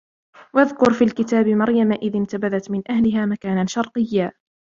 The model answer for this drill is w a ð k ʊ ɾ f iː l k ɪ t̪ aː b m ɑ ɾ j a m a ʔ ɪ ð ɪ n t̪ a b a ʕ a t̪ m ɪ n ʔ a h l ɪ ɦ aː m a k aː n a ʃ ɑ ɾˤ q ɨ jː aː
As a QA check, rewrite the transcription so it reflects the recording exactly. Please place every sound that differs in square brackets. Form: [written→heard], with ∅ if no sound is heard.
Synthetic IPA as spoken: w a ð k ʊ ɾ f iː l k ɪ t̪ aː b m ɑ ɾ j a m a ʔ ɪ ð ɪ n t̪ a b a [ʕ→ð] a t̪ m ɪ n ʔ a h l ɪ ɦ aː m a k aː n a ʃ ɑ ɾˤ q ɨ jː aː